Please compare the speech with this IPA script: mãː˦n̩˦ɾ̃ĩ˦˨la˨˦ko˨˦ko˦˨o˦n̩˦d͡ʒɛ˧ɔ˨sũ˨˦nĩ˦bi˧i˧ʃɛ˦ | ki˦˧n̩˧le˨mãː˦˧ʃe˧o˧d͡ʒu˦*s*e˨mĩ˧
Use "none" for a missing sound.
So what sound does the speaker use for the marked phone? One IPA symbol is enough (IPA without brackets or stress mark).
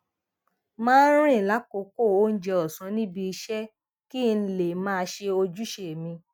ʃ